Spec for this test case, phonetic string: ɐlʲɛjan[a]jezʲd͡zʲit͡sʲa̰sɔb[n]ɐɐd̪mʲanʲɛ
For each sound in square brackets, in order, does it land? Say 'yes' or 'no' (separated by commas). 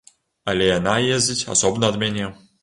yes, yes